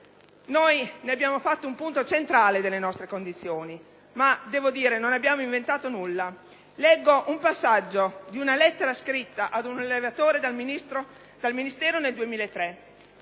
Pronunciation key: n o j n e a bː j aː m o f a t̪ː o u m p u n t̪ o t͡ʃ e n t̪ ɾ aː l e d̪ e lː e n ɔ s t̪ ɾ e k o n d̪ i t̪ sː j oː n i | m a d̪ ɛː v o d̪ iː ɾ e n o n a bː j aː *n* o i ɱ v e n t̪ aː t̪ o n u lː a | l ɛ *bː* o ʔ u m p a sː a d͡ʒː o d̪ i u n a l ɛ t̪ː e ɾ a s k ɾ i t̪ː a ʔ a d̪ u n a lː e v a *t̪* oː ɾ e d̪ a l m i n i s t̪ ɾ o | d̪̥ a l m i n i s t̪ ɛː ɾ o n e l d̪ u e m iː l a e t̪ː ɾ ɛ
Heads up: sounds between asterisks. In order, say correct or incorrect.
incorrect, incorrect, correct

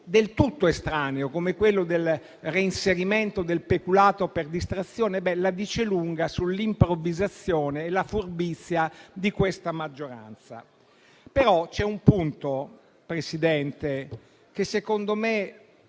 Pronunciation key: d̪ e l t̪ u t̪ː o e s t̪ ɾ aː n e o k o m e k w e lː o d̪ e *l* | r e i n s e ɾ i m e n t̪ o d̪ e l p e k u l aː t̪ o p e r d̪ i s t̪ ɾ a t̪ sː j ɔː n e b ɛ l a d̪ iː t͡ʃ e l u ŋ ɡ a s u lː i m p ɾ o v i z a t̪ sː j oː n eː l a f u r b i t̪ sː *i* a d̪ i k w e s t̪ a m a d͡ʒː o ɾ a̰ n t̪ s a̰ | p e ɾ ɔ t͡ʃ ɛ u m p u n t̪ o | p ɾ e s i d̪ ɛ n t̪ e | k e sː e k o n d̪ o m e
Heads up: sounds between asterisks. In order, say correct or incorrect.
correct, incorrect

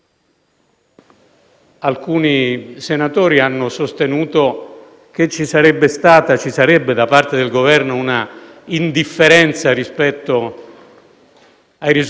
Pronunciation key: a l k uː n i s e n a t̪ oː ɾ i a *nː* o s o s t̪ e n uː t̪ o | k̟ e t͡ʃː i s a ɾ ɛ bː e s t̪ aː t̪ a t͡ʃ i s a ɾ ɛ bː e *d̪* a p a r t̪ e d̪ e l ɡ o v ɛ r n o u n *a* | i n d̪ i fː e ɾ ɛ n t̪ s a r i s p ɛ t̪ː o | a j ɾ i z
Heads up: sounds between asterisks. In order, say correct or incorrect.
correct, correct, correct

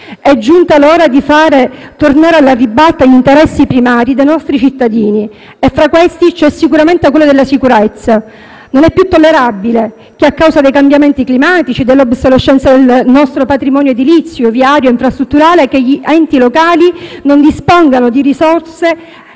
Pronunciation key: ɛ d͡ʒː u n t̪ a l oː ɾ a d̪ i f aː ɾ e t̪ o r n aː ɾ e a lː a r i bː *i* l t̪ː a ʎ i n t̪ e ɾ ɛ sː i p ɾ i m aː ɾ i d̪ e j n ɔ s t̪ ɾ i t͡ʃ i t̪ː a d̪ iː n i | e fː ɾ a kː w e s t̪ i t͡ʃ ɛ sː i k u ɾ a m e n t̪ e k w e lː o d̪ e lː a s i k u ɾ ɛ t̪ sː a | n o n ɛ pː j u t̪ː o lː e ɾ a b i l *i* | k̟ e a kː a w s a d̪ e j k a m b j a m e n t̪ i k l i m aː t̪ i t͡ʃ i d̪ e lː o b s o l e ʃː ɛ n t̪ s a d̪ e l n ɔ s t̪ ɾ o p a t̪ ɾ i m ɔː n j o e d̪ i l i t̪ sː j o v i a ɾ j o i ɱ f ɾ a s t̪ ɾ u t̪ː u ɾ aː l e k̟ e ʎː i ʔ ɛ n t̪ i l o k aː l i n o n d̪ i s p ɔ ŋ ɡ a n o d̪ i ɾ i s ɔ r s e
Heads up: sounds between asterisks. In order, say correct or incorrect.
incorrect, incorrect

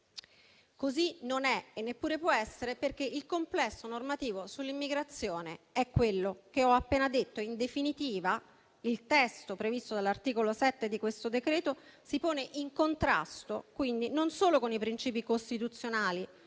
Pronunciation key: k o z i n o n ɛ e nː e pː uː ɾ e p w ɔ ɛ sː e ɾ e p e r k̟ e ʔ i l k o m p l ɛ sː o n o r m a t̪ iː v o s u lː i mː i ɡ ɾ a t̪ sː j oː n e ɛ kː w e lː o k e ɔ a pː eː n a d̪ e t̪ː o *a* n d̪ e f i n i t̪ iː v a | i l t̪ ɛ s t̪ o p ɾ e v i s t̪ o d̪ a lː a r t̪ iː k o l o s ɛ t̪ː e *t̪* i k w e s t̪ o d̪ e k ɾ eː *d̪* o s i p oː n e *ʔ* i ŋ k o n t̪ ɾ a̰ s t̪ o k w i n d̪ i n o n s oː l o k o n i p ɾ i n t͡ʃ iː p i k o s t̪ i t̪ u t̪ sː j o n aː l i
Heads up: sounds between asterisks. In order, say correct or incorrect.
incorrect, incorrect, incorrect, correct

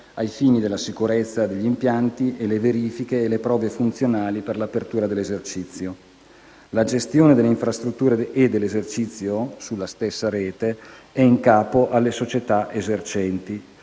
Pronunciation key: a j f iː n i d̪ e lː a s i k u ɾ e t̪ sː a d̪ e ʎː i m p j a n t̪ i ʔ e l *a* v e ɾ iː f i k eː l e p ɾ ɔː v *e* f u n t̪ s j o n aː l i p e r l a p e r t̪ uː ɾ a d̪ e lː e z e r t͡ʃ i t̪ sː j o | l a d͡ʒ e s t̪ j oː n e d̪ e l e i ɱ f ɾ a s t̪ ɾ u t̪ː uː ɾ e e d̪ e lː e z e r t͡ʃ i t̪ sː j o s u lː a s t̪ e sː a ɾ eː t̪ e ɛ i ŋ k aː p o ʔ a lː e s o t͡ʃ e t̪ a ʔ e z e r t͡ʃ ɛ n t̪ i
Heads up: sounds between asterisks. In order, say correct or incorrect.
incorrect, correct

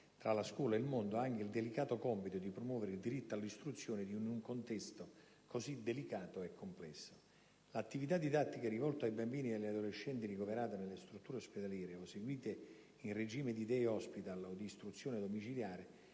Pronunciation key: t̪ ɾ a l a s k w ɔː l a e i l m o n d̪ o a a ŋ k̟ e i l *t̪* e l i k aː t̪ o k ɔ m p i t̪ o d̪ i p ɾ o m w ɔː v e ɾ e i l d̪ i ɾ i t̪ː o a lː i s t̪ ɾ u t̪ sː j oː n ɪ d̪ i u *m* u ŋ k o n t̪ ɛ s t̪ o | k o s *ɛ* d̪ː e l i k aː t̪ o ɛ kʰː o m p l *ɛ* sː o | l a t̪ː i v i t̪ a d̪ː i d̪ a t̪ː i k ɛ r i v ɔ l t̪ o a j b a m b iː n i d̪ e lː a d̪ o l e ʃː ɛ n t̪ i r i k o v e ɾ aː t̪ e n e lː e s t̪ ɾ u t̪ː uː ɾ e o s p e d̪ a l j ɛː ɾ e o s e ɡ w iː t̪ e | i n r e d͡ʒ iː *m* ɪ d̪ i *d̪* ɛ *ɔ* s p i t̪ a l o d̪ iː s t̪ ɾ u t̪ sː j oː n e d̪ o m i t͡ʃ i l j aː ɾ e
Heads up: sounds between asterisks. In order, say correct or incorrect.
incorrect, incorrect, incorrect, correct, correct, correct, correct

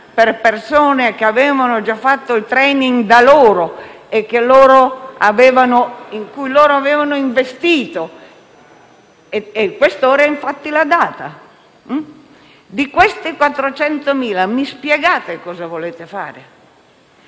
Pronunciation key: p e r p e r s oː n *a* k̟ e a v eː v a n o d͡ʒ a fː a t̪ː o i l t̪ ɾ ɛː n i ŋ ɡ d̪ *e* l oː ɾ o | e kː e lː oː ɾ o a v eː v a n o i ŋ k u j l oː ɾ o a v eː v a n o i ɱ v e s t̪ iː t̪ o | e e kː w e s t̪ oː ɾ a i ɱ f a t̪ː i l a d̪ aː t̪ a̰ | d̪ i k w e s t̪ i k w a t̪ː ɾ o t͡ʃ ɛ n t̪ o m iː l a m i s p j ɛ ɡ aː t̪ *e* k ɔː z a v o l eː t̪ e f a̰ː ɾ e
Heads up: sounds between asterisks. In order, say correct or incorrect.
incorrect, incorrect, correct

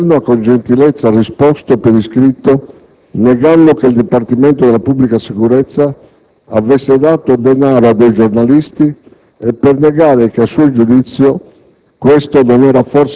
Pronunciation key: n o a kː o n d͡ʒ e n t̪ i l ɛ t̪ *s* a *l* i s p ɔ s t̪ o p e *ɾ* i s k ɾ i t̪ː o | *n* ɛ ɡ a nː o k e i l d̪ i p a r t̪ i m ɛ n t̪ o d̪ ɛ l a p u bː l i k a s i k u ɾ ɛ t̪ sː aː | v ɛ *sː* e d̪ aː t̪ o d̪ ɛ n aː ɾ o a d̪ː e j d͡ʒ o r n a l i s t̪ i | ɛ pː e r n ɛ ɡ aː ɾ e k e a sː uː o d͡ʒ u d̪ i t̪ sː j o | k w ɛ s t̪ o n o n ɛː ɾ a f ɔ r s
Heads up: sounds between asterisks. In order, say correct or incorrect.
incorrect, incorrect, correct, correct, correct

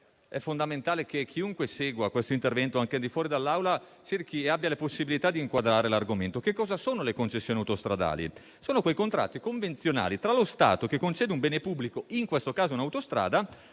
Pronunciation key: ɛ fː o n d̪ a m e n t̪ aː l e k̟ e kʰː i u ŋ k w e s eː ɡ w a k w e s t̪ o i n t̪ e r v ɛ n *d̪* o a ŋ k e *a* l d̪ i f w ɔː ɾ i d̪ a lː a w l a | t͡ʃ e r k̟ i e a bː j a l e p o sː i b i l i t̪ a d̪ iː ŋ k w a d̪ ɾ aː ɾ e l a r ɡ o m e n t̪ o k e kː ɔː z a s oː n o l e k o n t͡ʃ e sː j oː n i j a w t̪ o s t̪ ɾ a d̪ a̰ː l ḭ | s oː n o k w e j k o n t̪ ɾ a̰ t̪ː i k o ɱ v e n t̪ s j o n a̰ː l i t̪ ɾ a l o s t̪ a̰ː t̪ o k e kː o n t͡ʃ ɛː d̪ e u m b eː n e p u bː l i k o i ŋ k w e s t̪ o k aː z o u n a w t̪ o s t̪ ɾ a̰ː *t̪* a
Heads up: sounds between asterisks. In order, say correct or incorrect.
incorrect, correct, incorrect

